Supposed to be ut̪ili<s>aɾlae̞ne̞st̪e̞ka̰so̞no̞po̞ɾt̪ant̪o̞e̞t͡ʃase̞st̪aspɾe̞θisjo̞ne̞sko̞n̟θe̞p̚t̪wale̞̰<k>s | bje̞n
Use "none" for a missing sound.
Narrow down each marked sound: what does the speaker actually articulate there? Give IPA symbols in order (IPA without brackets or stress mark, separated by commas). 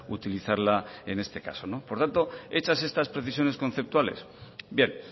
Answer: θ, none